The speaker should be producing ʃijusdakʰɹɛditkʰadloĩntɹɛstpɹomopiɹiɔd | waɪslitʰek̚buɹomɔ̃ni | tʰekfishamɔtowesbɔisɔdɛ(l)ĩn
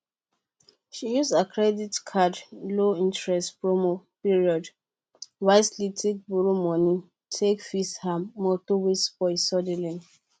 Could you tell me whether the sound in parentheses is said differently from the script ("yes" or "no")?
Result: no